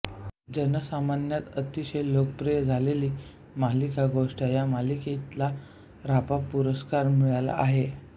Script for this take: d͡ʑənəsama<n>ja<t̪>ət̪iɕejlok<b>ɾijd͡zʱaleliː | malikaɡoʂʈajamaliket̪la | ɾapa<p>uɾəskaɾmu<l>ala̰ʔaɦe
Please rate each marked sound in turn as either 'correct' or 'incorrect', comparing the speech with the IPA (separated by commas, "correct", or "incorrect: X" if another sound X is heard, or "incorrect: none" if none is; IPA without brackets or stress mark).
correct, correct, incorrect: p, correct, incorrect: ɭ